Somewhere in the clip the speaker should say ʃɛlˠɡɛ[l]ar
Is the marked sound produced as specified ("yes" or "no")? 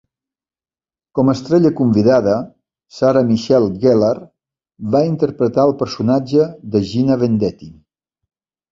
yes